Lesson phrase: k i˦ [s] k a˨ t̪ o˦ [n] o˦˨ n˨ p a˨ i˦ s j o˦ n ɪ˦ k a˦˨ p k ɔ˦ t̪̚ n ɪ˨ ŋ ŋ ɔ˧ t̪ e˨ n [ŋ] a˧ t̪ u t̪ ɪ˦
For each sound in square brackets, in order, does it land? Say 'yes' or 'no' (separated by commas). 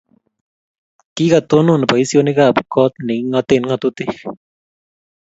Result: no, yes, yes